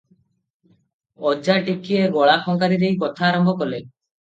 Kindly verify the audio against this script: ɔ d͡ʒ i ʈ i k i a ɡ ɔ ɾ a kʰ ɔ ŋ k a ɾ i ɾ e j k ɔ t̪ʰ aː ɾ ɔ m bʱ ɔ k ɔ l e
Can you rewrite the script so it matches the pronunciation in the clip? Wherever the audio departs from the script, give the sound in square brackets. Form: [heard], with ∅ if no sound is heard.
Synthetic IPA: ɔ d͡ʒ [a] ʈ i k i [e] ɡ ɔ [ɭ] a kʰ ɔ ŋ k a ɾ i ɾ e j k ɔ t̪ʰ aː ɾ ɔ m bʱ ɔ k ɔ l e

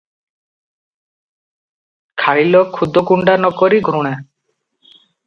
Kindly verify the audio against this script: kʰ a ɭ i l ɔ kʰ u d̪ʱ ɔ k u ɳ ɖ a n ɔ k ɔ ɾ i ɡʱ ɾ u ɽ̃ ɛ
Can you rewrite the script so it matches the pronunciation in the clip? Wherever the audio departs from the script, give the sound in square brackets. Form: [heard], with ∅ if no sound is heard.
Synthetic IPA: kʰ a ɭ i l ɔ kʰ u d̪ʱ ɔ k u ɳ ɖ a n ɔ k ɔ ɾ i ɡʱ ɾ u ɽ̃ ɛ

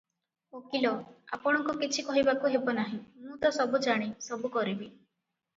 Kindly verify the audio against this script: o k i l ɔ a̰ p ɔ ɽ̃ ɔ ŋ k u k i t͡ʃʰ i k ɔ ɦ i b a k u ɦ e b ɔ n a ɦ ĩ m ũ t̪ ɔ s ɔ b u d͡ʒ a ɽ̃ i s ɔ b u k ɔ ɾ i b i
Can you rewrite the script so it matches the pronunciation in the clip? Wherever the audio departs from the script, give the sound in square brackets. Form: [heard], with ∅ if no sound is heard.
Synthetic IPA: o k i l ɔ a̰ p ɔ ɽ̃ ɔ ŋ k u k i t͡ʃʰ i k ɔ ɦ i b a k u ɦ e b ɔ n a ɦ ĩ m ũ t̪ ɔ s ɔ b u d͡ʒ a ɽ̃ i s ɔ b u k ɔ ɾ i b i

